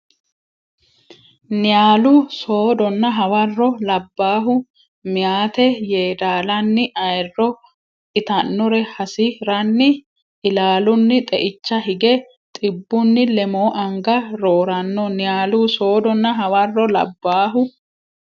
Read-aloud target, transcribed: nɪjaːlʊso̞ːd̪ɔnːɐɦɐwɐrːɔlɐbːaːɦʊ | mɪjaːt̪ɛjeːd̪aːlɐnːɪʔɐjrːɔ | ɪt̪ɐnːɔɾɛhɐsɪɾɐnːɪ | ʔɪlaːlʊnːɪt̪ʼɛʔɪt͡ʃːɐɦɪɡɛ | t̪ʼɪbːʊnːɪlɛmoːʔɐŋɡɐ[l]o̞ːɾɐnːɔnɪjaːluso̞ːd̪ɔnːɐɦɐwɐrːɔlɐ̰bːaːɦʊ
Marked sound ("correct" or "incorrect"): incorrect